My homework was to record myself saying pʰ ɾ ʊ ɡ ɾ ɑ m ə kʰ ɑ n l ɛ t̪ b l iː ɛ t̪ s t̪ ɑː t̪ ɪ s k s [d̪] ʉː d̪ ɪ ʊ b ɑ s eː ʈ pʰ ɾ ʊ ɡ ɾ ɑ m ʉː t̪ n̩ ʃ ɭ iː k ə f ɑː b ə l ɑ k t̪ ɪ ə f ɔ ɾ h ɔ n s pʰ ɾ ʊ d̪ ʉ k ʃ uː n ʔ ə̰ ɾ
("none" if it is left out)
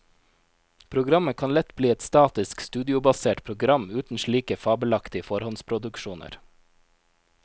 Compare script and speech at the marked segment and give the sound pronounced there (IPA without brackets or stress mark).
t̪